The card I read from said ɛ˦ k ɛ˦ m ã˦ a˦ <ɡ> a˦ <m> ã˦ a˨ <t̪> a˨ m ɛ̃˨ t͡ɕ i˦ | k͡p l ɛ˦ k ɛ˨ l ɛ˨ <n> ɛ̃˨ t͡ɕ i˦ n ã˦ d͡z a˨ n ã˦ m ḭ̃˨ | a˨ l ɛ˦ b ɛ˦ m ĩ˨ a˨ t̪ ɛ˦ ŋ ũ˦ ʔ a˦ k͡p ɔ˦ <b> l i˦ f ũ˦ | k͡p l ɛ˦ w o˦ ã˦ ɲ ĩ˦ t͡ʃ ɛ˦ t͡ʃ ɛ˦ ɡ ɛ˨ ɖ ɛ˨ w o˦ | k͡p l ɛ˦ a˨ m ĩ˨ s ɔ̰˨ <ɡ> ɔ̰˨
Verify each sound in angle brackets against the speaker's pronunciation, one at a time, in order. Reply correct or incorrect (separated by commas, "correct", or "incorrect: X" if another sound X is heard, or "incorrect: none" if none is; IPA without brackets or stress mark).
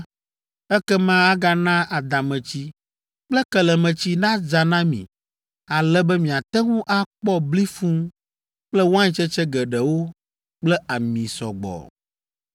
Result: correct, incorrect: n, incorrect: d̪, incorrect: m, correct, incorrect: ɡ͡b